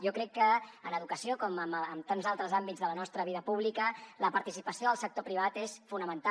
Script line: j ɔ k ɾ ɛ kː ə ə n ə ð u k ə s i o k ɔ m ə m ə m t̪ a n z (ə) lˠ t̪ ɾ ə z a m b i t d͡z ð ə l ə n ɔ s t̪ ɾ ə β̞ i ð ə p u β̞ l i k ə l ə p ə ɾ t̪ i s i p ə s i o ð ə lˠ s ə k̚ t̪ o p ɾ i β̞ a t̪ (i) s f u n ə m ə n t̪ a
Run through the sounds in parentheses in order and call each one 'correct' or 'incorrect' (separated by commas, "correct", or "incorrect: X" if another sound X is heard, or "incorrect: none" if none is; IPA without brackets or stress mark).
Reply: incorrect: a, incorrect: e